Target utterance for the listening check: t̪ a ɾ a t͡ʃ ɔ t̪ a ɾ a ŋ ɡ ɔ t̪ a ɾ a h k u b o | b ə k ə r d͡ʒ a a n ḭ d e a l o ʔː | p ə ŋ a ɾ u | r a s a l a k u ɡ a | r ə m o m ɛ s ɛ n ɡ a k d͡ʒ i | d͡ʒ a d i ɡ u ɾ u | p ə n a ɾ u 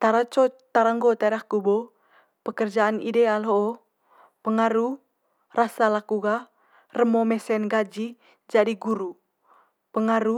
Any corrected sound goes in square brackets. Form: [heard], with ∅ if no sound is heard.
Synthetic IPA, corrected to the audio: t̪ a ɾ a t͡ʃ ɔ t̪ a ɾ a ŋ ɡ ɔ t̪ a ɾ a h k u b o | [p] ə k ə r d͡ʒ a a n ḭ d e a l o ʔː | p ə ŋ a ɾ u | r a s a l a k u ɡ a | r ə m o m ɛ s ɛ n ɡ a [∅] d͡ʒ i | d͡ʒ a d i ɡ u ɾ u | p ə [ŋ] a ɾ u

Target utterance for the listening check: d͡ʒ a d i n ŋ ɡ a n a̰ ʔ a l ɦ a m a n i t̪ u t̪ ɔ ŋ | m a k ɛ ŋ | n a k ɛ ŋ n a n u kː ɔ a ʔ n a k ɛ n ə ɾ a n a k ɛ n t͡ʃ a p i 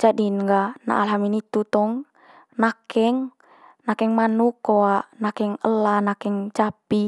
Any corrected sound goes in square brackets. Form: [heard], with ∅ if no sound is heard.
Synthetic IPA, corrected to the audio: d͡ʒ a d i n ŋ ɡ a n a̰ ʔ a l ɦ a m [i] n i t̪ u t̪ ɔ ŋ | [n] a k ɛ ŋ | n a k ɛ ŋ [m] a n u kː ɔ a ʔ n a k ɛ [ŋ] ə [l] a n a k ɛ [ŋ] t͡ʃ a p i

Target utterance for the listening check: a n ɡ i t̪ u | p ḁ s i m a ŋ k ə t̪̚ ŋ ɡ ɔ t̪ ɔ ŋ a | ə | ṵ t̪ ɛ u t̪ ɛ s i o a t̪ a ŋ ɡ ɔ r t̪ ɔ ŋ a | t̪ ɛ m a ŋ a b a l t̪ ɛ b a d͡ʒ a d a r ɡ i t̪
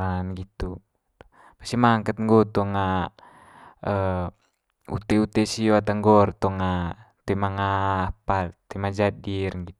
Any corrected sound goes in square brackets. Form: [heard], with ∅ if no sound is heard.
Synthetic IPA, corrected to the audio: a n ɡ i t̪ u | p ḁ s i m a ŋ k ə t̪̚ ŋ ɡ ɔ t̪ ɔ ŋ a | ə | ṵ t̪ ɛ u t̪ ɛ s i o a t̪ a ŋ ɡ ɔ r t̪ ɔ ŋ a | t̪ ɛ m a ŋ a [p] a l t̪ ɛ [m] a d͡ʒ a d [i] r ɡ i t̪

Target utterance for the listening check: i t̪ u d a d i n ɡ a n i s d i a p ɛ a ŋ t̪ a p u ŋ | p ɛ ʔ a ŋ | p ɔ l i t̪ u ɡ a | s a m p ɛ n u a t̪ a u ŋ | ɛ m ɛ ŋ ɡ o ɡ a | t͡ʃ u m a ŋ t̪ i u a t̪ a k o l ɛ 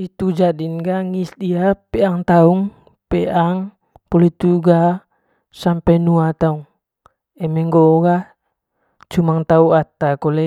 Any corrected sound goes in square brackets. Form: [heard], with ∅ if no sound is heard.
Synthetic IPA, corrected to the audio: i t̪ u [d͡ʒ] a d i n ɡ a [ŋ] i s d i a p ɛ a ŋ t̪ a [∅] u ŋ | p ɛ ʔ a ŋ | p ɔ l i t̪ u ɡ a | s a m p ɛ n u a t̪ a u ŋ | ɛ m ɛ ŋ ɡ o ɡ a | t͡ʃ u m a ŋ t̪ [a] u a t̪ a k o l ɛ

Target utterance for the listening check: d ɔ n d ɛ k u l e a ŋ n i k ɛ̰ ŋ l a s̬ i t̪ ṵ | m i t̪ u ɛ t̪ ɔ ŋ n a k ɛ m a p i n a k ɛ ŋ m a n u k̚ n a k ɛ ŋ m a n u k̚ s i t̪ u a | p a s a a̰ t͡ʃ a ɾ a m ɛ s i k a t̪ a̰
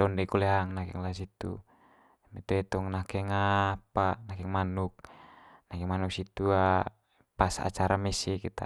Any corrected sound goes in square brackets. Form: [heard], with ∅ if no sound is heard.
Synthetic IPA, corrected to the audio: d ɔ n d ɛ k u l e a ŋ n [a] k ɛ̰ ŋ l a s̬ i t̪ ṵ | m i t̪ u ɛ t̪ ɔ ŋ n a k ɛ [ŋ] a p [a] n a k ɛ ŋ m a n u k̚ n a k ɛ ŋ m a n u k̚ s i t̪ u a | p a s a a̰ t͡ʃ a ɾ a m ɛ s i k [i] t̪ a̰

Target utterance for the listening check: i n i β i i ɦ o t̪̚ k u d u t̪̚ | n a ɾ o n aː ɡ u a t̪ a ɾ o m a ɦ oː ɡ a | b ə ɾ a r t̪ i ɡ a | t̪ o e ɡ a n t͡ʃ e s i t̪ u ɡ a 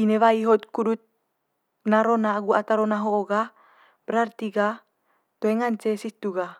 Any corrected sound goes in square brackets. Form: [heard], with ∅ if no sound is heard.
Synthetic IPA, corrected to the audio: i n [e] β [a] i ɦ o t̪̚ k u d u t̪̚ | n a ɾ o n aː ɡ u a t̪ a ɾ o [n] a ɦ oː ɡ a | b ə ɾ a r t̪ i ɡ a | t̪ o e [ŋ] a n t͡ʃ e s i t̪ u ɡ a

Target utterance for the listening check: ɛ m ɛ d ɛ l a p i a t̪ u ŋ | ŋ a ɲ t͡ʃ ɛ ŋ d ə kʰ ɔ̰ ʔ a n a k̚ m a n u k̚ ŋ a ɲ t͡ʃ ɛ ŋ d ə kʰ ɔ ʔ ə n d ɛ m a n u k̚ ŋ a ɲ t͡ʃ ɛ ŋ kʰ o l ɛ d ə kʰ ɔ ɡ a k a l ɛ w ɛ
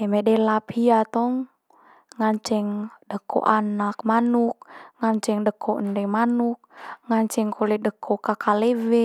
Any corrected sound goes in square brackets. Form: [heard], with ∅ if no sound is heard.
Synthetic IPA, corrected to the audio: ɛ m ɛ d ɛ l a p i a t̪ [ɔ] ŋ | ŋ a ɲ t͡ʃ ɛ ŋ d ə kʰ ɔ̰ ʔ a n a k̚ m a n u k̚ ŋ a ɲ t͡ʃ ɛ ŋ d ə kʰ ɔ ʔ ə n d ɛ m a n u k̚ ŋ a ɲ t͡ʃ ɛ ŋ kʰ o l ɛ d ə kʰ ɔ [k] a k a l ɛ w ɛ

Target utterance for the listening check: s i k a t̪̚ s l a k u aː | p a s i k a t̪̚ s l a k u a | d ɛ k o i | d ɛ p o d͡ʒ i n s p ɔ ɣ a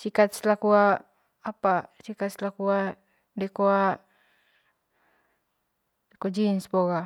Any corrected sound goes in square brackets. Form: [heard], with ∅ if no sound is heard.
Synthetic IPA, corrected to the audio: s i k a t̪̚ s l a k u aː | p a s i k a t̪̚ s l a k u a | d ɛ k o [a] | d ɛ [k] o d͡ʒ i n s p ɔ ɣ a

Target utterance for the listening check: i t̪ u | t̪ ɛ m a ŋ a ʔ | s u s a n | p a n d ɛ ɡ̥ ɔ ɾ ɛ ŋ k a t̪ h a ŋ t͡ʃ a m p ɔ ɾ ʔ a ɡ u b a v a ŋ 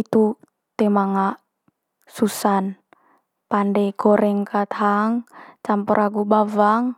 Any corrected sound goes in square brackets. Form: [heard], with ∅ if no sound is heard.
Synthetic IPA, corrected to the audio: i t̪ u | t̪ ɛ m a ŋ a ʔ | s u s a n | p a n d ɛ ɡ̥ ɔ ɾ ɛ ŋ k a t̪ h a ŋ t͡ʃ a m p ɔ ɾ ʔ a ɡ u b a v a ŋ

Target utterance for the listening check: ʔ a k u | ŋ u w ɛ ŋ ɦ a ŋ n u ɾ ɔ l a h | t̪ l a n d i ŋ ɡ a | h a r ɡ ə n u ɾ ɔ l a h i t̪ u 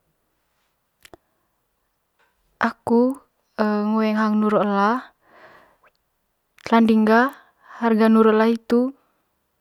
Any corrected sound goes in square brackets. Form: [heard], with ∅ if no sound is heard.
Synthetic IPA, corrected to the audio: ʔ a k u | ŋ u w ɛ ŋ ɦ a ŋ n u ɾ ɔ l a h | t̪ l a n d i ŋ ɡ a | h a r ɡ [a] n u ɾ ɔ l a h i t̪ u

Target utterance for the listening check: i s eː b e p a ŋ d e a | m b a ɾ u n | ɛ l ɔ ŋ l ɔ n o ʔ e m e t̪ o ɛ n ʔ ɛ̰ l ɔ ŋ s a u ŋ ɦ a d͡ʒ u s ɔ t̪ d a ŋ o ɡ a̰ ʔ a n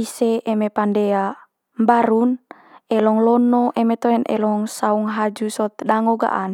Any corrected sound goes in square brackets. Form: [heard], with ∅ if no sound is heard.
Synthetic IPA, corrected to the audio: i s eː [m] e p a [n] d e a | m b a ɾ u n | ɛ l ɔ ŋ l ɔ n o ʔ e m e t̪ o ɛ n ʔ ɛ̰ l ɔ ŋ s a u ŋ ɦ a d͡ʒ u s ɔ t̪ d a ŋ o ɡ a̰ ʔ a n

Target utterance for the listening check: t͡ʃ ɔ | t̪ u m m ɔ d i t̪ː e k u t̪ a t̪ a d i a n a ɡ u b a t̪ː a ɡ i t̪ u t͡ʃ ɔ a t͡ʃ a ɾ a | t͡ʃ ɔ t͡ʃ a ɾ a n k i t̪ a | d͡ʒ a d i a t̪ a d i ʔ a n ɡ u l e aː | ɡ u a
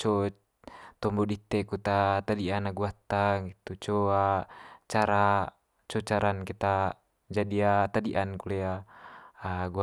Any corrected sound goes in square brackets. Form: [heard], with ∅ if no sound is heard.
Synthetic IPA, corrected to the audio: t͡ʃ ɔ | t̪ [ɔ] m [b] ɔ d i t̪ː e k u t̪ a t̪ a d i a n a ɡ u [∅] a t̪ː a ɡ i t̪ u t͡ʃ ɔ a t͡ʃ a ɾ a | t͡ʃ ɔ t͡ʃ a ɾ a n k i t̪ a | d͡ʒ a d i a t̪ a d i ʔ a n [k] u l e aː | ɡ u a

